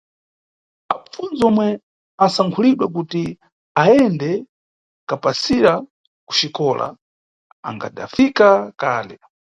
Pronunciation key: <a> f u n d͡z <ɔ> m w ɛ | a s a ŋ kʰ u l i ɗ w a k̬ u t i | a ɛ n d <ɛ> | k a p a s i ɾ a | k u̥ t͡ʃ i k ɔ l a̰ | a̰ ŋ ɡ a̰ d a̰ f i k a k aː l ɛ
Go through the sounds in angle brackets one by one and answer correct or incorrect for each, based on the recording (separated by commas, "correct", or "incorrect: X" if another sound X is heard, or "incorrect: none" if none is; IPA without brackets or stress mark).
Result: correct, correct, correct